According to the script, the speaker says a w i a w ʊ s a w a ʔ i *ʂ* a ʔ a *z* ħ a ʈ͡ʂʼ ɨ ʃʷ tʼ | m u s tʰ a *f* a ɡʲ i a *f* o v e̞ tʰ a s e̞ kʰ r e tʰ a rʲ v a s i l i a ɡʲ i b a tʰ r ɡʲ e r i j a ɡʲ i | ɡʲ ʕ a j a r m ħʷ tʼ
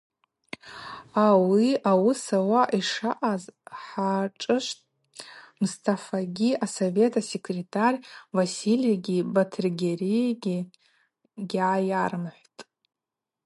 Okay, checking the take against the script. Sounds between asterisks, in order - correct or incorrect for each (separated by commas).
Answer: correct, correct, correct, incorrect